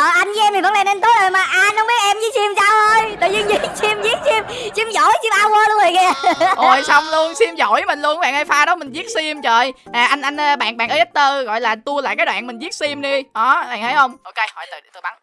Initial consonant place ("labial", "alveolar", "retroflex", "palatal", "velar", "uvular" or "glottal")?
glottal